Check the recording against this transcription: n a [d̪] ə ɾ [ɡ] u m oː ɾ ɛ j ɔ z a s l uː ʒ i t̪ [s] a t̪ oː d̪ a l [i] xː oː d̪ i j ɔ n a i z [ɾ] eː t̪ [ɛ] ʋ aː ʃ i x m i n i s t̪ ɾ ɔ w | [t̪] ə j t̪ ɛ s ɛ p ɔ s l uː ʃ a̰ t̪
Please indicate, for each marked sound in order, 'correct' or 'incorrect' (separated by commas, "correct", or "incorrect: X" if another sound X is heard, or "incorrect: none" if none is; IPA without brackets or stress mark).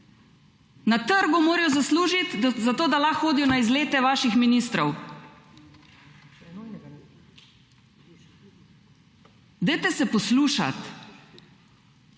incorrect: t̪, correct, incorrect: z, incorrect: a, incorrect: l, correct, incorrect: d̪